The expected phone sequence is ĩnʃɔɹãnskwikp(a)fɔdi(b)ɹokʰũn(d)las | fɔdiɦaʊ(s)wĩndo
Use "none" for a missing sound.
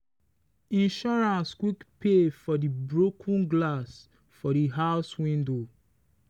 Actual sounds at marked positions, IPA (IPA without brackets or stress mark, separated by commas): e, b, ɡ, s